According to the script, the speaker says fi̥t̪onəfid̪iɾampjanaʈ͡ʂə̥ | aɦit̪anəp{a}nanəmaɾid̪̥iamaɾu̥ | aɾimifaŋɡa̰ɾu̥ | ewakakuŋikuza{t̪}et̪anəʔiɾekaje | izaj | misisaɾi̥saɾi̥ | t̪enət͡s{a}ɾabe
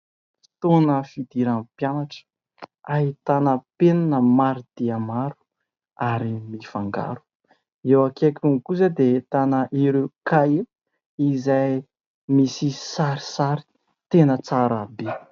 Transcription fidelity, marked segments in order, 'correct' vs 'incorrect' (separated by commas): incorrect, incorrect, correct